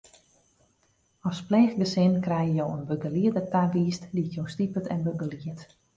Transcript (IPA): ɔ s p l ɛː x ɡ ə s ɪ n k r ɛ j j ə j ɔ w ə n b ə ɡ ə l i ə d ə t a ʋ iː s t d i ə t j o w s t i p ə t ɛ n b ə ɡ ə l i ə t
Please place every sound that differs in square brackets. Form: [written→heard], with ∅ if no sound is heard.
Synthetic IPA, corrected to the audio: ɔ s p l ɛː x ɡ ə s ɪ n k r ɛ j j ə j [ɔ→o] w ə n b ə ɡ ə l i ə d ə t a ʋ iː s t d i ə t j o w s t i p ə t ɛ n b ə ɡ ə l i ə t